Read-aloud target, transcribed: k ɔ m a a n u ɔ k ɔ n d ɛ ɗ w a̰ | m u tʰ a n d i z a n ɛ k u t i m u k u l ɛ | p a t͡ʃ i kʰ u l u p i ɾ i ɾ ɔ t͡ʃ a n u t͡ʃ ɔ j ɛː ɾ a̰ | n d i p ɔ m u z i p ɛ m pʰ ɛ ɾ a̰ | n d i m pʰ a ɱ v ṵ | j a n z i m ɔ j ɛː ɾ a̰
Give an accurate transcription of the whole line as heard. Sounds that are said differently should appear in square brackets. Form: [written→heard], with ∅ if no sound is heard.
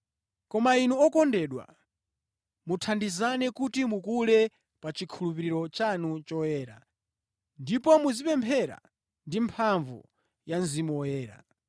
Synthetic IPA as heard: k ɔ m a [a→i] n u ɔ k ɔ n d ɛ ɗ w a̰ | m u tʰ a n d i z a n ɛ k u t i m u k u l ɛ | p a t͡ʃ i kʰ u l u p i ɾ i ɾ ɔ t͡ʃ a n u t͡ʃ ɔ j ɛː ɾ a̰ | n d i p ɔ m u z i p ɛ m pʰ ɛ ɾ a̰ | n d i m pʰ a ɱ v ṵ | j a n z i m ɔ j ɛː ɾ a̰